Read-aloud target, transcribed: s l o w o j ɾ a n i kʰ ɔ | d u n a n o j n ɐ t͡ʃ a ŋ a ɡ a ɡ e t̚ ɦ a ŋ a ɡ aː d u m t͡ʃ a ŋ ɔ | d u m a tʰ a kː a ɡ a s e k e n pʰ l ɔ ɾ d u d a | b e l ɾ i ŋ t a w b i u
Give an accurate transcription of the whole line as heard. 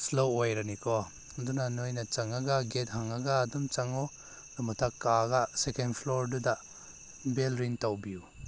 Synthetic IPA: s l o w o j ɾ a n i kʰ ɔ | d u n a n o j n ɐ t͡ʃ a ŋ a ɡ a ɡ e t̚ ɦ a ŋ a ɡ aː d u m t͡ʃ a ŋ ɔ | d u m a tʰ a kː a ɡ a s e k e n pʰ l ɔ ɾ d u d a | b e l ɾ i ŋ t a w b i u

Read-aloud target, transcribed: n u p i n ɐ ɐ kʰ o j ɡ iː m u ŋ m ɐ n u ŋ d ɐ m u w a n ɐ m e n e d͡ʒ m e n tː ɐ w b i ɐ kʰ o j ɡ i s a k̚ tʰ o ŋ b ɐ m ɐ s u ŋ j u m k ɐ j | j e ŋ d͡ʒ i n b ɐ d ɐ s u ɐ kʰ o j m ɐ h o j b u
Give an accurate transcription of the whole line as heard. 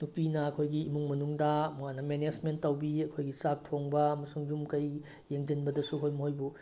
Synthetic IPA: n u p i n ɐ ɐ kʰ o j ɡ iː m u ŋ m ɐ n u ŋ d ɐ m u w a n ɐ m e n e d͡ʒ m e n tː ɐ w b i ɐ kʰ o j ɡ i s a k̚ tʰ o ŋ b ɐ m ɐ s u ŋ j u m k ɐ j | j e ŋ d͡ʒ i n b ɐ d ɐ s u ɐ kʰ o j m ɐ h o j b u

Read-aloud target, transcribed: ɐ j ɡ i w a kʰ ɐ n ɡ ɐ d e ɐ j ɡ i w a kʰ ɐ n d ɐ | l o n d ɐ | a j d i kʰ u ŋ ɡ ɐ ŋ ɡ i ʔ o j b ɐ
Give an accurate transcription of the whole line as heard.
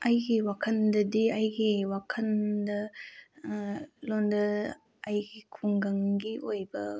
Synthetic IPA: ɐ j ɡ i w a kʰ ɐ n d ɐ d i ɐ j ɡ i w a kʰ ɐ n d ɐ | l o n d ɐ | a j ɡ i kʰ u ŋ ɡ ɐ ŋ ɡ i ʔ o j b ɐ

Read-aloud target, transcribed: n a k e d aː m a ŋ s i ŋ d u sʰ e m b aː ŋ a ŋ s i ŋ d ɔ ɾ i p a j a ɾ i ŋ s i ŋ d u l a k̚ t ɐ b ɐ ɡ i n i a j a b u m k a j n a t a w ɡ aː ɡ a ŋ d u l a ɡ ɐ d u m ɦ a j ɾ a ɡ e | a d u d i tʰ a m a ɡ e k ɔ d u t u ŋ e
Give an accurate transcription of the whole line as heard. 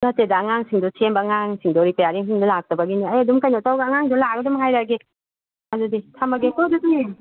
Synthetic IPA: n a t e d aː ŋ a ŋ s i ŋ d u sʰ e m b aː ŋ a ŋ s i ŋ d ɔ ɾ i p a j a ɾ i ŋ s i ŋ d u l a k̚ t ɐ b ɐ ɡ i n i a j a d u m k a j n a t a w ɡ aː ŋ a ŋ d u l a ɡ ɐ d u m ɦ a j ɾ a ɡ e | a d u d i tʰ a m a ɡ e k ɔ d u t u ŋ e

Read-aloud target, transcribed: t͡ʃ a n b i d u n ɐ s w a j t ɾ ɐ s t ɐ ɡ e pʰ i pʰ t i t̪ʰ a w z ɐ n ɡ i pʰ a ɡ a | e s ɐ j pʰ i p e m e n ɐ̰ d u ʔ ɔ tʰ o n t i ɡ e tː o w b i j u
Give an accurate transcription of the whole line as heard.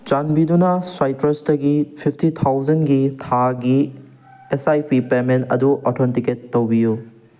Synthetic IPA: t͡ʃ a n b i d u n ɐ s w a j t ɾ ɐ s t ɐ ɡ i pʰ i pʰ t i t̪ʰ a w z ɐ n ɡ i tʰ a ɡ i | e s a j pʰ i p e m e n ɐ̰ d u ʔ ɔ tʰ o n t i k e tː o w b i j u

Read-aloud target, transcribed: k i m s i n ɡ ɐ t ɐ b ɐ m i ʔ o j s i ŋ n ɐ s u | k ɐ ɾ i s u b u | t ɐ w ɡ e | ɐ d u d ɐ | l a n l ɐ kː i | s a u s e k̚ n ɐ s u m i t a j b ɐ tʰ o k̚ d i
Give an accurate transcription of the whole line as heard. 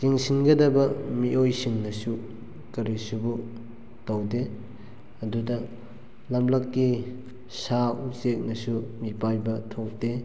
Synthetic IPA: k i ŋ s i n ɡ ɐ d ɐ b ɐ m i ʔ o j s i ŋ n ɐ s u | k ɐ ɾ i s u b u | t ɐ w d e | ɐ d u d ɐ | l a m l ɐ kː i | s a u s e k̚ n ɐ s u m i p a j b ɐ tʰ o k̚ d e

